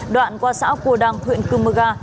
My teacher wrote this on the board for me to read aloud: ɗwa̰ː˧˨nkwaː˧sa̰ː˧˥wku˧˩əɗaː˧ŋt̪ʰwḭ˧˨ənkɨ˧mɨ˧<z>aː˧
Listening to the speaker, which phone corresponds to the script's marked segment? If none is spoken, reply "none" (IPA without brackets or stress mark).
ɣ